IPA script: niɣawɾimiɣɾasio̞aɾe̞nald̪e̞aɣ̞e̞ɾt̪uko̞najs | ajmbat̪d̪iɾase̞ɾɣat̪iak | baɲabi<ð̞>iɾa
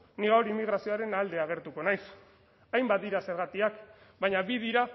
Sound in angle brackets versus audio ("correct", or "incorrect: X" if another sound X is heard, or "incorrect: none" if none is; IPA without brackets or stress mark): correct